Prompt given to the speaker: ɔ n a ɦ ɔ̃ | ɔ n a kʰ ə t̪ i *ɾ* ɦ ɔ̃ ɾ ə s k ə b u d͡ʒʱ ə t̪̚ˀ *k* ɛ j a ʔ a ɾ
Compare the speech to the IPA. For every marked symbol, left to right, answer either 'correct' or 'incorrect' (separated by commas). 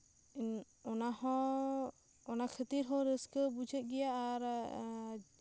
correct, incorrect